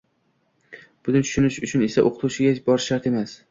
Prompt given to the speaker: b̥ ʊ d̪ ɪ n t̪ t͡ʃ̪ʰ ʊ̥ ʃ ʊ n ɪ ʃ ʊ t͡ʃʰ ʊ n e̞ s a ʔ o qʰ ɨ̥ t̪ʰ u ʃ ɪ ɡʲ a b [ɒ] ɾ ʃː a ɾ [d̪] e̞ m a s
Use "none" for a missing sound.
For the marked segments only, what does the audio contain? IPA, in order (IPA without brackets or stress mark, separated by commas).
ɒ, t̪